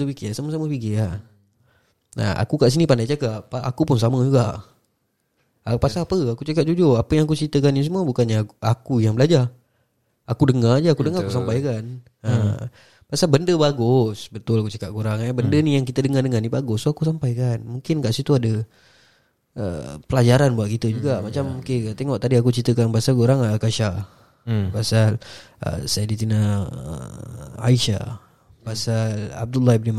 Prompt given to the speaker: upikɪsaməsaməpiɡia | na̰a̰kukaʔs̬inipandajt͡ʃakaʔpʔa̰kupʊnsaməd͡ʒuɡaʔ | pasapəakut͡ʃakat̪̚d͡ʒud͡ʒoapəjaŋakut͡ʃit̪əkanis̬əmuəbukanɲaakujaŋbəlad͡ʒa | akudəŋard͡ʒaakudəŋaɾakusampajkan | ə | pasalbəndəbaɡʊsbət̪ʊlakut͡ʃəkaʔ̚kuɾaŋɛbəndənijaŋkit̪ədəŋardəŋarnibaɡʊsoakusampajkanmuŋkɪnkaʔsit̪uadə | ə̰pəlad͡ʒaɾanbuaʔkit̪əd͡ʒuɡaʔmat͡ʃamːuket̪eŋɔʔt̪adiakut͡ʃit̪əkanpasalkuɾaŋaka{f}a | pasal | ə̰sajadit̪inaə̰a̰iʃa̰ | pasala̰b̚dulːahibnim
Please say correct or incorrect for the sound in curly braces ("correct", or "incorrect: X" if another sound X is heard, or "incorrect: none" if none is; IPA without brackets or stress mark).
incorrect: ʃ